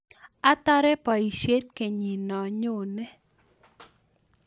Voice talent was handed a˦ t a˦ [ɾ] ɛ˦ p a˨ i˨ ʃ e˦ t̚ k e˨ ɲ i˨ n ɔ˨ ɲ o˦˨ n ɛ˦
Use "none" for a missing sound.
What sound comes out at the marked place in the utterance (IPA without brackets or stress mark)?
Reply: ɾ